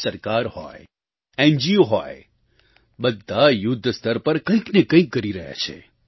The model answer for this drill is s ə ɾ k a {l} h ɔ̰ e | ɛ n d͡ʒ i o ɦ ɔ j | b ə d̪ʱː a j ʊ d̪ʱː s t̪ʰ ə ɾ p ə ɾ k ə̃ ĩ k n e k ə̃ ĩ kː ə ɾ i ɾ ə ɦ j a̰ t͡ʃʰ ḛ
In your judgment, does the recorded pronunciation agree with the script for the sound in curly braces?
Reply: no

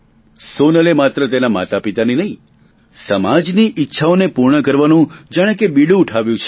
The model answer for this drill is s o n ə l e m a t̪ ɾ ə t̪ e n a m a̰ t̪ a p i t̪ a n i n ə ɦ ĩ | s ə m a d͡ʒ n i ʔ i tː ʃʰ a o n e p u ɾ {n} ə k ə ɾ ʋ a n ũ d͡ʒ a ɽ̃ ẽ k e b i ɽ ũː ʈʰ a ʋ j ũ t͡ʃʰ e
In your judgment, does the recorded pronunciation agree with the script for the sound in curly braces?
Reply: no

